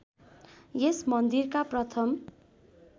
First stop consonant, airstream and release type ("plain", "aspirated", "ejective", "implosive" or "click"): plain